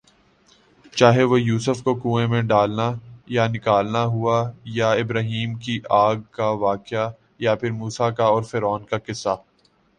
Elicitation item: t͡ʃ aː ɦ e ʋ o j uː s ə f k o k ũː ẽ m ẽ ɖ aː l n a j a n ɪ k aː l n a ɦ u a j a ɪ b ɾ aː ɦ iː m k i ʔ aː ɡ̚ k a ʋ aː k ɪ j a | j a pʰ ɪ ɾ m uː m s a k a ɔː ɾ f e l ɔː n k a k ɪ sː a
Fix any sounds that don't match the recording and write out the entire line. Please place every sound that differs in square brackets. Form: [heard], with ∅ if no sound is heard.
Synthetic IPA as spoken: t͡ʃ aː ɦ e ʋ o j uː s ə f k o k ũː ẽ m ẽ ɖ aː l n a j a n ɪ k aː l n a ɦ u a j a ɪ b ɾ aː ɦ iː m k i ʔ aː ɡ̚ k a ʋ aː k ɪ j a | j a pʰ ɪ ɾ m uː [∅] s a k a ɔː ɾ f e [ɾ] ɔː n k a k ɪ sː a